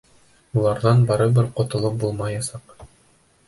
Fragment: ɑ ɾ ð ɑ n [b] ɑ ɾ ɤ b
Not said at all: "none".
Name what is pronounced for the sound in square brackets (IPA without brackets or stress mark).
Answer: b